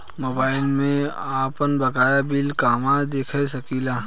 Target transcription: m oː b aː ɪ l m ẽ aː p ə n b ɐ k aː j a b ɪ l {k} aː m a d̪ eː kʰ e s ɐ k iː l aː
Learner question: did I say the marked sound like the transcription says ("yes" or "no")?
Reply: yes